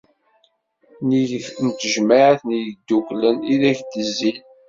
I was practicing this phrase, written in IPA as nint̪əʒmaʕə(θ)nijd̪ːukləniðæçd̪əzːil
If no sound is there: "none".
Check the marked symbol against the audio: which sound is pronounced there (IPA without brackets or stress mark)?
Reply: θ